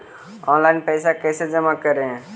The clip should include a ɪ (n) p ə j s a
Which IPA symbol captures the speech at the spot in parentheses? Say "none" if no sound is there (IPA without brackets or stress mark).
n